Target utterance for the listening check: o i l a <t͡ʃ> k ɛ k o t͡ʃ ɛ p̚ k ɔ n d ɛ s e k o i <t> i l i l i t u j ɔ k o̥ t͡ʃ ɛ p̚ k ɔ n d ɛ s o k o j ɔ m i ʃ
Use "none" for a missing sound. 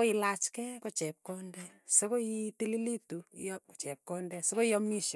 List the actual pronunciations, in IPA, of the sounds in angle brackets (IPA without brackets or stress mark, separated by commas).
t͡ʃ, t